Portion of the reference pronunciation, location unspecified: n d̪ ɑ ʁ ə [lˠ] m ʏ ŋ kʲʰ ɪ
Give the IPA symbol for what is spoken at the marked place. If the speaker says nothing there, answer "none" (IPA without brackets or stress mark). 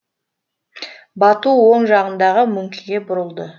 none